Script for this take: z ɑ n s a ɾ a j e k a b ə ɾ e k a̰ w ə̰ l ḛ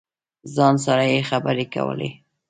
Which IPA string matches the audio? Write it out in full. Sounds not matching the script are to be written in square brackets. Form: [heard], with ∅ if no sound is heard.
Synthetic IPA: z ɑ n s a ɾ a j e [x] a b ə ɾ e k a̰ w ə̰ l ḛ